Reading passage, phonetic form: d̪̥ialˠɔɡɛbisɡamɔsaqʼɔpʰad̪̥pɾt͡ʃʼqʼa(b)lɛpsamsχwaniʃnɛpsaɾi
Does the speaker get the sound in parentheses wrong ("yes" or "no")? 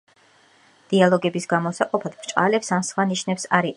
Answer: yes